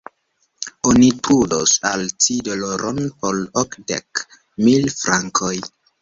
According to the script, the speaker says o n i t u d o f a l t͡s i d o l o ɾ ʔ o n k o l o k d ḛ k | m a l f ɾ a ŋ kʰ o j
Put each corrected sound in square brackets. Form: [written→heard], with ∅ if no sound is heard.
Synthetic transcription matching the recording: o n i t u d o [f→s] a l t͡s i d o l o ɾ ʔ o n [k→p] o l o k d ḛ k | m [a→i] l f ɾ a ŋ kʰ o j